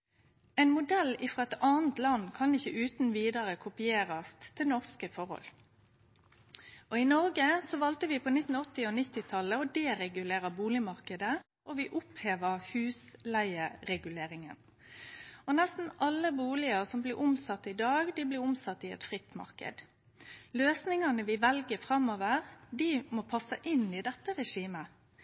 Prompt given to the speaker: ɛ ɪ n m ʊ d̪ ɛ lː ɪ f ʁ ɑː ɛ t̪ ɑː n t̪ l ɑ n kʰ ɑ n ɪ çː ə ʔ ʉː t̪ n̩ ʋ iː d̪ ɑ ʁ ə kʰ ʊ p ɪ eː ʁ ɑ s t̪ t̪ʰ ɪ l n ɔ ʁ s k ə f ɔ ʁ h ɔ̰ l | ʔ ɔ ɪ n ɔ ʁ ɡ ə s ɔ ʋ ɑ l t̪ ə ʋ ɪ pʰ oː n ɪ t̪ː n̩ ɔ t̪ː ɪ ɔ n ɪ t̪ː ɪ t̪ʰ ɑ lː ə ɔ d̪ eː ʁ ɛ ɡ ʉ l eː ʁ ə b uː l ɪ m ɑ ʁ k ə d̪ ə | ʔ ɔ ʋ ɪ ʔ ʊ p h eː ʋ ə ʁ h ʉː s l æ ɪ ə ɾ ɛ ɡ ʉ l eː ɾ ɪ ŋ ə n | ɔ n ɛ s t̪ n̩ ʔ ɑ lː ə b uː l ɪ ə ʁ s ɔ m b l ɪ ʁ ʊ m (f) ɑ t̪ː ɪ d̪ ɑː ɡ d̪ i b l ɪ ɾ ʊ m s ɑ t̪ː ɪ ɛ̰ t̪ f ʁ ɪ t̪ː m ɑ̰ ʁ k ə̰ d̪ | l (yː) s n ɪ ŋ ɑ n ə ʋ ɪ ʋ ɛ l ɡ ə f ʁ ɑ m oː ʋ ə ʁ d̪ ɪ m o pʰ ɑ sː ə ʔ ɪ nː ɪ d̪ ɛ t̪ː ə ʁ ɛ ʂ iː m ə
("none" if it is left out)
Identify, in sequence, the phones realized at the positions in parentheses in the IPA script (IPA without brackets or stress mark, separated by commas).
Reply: s, øː